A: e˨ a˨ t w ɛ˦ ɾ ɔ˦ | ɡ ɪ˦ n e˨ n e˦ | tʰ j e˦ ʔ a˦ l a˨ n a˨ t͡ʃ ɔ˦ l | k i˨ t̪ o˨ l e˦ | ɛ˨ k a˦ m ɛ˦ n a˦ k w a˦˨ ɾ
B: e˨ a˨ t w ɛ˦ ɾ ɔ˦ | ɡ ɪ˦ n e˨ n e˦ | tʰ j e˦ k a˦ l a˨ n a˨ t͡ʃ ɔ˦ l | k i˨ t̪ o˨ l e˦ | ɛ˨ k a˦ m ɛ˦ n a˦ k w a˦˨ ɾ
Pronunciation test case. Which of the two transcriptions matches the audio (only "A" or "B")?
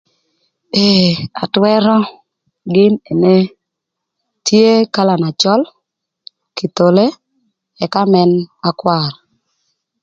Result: B